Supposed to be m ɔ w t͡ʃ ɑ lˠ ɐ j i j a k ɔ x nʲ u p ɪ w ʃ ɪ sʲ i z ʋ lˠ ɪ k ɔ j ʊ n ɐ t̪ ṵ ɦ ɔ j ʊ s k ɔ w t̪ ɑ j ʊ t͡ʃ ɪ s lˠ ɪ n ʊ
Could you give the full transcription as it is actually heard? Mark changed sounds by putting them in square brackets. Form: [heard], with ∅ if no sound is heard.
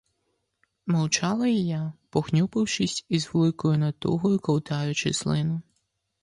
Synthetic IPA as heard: m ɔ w t͡ʃ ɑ lˠ ɐ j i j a [p] ɔ x nʲ u p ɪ w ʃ ɪ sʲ i z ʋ lˠ ɪ k ɔ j ʊ n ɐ t̪ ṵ ɦ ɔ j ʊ [∅] k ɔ w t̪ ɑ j ʊ t͡ʃ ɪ s lˠ ɪ n ʊ